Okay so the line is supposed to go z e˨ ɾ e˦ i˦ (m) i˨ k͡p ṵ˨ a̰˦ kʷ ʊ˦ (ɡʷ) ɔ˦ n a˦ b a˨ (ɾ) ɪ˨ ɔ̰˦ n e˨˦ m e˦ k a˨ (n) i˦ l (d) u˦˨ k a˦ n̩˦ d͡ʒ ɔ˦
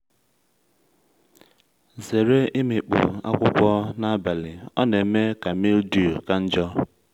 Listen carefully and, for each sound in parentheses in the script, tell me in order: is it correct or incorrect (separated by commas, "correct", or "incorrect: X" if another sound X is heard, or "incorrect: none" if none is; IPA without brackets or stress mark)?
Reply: correct, incorrect: kʷ, incorrect: l, incorrect: m, correct